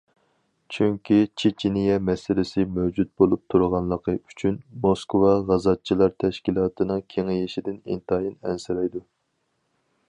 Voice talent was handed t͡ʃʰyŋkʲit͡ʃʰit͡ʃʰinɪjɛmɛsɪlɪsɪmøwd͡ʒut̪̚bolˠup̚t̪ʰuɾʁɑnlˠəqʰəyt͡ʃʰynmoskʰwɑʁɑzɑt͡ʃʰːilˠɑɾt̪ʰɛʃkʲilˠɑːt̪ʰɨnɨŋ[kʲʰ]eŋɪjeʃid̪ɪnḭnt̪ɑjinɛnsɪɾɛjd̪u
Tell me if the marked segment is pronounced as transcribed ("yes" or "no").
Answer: yes